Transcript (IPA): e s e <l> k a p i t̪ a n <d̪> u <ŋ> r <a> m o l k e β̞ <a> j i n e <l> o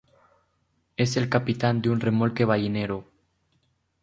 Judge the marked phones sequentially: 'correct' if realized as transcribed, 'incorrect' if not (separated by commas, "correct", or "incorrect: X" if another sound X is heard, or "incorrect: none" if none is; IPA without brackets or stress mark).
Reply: correct, correct, incorrect: n, incorrect: e, correct, incorrect: ɾ